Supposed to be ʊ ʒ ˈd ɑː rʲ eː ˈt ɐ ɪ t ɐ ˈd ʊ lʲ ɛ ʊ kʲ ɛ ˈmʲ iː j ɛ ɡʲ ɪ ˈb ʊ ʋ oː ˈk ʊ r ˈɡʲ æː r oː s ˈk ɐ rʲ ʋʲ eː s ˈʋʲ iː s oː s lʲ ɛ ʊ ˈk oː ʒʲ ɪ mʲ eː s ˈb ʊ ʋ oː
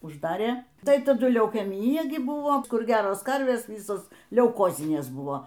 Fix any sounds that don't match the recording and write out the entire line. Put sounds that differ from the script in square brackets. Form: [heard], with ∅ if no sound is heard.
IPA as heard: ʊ ʒ ˈd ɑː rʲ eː ˈt ɐ ɪ t ɐ ˈd ʊ lʲ ɛ ʊ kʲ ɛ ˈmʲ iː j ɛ ɡʲ ɪ ˈb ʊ ʋ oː ˈk ʊ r ˈɡʲ æː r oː s ˈk ɐ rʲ ʋʲ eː s ˈʋʲ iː s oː s lʲ ɛ ʊ ˈk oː [zʲ] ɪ [nʲ] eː s ˈb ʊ ʋ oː

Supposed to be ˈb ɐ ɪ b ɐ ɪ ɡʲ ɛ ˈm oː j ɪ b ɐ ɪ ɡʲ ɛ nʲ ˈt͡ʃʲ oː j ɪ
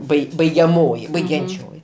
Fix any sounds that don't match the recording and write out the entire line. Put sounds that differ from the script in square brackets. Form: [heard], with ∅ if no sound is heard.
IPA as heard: ˈb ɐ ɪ b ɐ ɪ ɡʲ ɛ ˈm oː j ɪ b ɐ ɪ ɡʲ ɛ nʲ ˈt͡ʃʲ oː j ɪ

